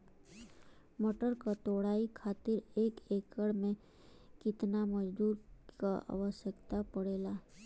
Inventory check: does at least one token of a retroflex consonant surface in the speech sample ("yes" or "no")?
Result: yes